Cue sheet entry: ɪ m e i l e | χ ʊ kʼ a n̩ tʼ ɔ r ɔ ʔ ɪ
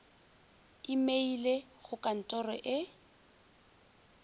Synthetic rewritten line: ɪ m e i l e | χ ʊ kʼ a n̩ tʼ ɔ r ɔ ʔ ɪ